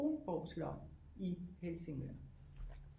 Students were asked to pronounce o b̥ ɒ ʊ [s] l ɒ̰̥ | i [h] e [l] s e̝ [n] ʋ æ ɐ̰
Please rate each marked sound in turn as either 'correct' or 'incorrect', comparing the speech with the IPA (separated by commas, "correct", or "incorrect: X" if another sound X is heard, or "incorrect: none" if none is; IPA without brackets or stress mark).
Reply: correct, correct, correct, incorrect: ŋ